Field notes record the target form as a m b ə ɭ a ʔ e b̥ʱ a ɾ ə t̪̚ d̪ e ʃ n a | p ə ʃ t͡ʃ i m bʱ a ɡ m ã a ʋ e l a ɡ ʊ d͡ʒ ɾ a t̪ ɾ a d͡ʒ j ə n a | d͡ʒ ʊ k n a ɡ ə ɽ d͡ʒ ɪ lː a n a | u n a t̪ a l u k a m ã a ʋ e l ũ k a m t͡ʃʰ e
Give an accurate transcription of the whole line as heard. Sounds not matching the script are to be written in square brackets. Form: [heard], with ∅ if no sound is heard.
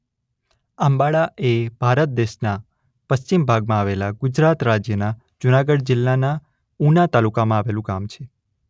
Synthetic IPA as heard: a m b [a] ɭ a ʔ e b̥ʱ a ɾ ə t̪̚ d̪ e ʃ n a | p ə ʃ t͡ʃ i m bʱ a ɡ m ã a ʋ e l a ɡ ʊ d͡ʒ ɾ a t̪ ɾ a d͡ʒ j ə n a | d͡ʒ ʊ [∅] n a ɡ ə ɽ d͡ʒ ɪ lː a n a | u n a t̪ a l u k a m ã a ʋ e l ũ k a m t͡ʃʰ e